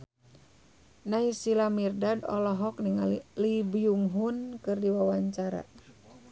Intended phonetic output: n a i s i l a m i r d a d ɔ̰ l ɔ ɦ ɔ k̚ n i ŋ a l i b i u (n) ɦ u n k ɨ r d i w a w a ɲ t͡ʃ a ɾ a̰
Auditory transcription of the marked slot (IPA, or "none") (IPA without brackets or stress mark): ŋ